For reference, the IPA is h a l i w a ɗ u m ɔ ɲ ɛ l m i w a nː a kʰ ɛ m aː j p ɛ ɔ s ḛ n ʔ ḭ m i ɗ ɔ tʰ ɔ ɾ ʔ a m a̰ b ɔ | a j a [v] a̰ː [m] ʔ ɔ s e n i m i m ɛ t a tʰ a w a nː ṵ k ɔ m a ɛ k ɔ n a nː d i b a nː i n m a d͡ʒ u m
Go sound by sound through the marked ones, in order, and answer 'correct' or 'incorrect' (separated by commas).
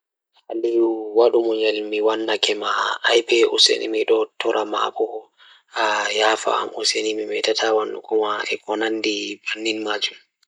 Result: incorrect, correct